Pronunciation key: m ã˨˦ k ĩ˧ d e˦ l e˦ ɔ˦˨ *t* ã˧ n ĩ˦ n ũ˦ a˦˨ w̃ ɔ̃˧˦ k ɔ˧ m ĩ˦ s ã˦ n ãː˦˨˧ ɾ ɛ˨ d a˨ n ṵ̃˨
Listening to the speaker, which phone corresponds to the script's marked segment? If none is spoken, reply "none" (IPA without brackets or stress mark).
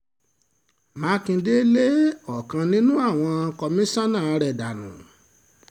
k